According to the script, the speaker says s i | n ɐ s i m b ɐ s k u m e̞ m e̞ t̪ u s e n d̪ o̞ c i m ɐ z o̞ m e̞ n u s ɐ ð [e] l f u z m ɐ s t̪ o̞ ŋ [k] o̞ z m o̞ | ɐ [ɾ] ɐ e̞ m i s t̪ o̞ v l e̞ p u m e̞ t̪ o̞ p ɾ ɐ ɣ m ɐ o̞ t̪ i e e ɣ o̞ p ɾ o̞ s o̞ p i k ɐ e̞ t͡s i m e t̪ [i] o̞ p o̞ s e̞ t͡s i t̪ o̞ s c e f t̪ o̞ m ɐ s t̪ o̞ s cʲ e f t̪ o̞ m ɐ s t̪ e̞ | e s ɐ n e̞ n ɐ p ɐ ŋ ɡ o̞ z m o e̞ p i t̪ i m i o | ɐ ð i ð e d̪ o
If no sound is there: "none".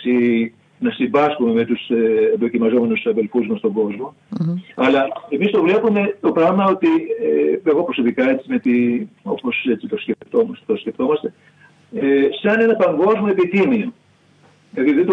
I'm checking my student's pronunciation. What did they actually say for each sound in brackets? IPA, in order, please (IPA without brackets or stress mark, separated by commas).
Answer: e, ɡ, l, i